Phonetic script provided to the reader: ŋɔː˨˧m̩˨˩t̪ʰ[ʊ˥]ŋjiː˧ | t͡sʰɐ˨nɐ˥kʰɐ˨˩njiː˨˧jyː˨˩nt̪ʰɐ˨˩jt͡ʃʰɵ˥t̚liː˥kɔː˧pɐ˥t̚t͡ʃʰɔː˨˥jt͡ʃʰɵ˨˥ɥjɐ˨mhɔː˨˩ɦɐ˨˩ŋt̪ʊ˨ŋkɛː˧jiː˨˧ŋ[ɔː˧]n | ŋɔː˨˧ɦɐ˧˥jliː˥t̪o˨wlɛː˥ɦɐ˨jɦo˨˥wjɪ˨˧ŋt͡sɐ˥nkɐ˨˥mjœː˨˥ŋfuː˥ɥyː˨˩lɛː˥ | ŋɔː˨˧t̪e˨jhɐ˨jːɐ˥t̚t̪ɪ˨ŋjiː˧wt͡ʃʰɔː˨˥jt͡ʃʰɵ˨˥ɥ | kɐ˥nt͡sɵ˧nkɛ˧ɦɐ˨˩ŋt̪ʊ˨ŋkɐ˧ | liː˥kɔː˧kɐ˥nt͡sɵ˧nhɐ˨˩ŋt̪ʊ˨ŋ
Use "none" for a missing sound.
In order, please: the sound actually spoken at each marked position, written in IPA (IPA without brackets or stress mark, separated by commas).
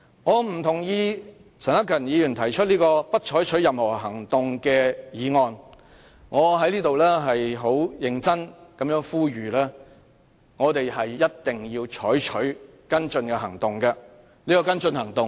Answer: ʊ˨˩, ɔː˧